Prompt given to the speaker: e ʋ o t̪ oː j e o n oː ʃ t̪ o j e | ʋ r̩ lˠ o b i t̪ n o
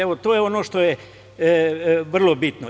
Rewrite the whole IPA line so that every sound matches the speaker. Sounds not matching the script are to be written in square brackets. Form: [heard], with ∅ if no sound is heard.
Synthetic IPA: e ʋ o t̪ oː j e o n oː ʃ t̪ o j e | ʋ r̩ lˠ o b i t̪ n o